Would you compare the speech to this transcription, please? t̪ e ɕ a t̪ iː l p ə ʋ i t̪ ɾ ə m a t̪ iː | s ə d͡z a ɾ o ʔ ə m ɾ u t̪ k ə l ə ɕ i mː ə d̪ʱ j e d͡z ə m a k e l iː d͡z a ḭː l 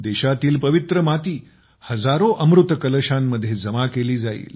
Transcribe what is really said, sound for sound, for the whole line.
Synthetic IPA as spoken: d̪ e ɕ a t̪ iː l p ə ʋ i t̪ ɾ ə m a t̪ iː | h ə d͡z a ɾ o ʔ ə m ɾ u t̪ k ə l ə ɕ a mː ə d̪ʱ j e d͡z ə m a k e l iː d͡z a ḭː l